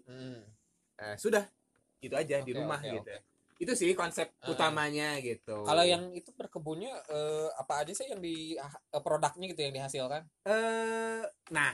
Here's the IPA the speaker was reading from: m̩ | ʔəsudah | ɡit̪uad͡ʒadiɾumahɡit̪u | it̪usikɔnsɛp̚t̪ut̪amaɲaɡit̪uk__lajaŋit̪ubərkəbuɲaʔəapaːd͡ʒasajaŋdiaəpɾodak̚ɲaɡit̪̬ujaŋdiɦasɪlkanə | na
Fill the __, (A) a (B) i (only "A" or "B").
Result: A